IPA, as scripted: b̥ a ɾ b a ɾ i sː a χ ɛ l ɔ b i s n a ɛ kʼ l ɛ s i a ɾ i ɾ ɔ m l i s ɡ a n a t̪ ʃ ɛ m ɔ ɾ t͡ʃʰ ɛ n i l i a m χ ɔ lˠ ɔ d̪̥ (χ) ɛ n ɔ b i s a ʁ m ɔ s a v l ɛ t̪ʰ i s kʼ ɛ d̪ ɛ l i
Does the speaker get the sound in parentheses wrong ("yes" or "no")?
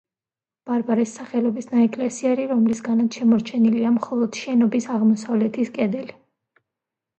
yes